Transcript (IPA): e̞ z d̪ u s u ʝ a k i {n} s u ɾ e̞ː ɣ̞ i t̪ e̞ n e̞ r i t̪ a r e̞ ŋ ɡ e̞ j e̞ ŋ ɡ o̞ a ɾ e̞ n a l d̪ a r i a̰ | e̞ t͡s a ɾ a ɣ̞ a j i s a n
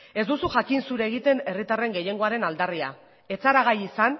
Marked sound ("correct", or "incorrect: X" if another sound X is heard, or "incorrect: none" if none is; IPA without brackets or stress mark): correct